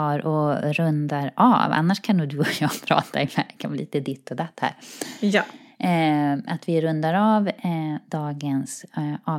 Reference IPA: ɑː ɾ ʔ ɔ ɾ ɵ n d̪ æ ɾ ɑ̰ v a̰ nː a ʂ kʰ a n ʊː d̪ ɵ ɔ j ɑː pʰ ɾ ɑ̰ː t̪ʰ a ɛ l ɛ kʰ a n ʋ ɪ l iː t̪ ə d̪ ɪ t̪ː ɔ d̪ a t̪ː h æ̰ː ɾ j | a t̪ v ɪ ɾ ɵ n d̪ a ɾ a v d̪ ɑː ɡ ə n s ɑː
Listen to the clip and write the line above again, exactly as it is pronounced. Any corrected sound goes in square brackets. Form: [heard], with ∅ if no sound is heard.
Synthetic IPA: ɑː ɾ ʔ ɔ ɾ ɵ n d̪ [a] ɾ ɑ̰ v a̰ nː a ʂ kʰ a n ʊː d̪ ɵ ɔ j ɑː pʰ ɾ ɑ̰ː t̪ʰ a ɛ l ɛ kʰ a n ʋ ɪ l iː t̪ ə d̪ ɪ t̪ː ɔ d̪ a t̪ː h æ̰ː ɾ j | a t̪ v ɪ ɾ ɵ n d̪ a ɾ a v d̪ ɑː ɡ ə n s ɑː